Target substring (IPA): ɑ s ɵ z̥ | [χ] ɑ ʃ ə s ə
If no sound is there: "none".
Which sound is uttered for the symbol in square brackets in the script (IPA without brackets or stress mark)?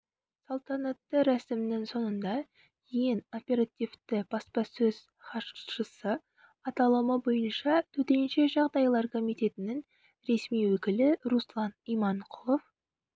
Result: χ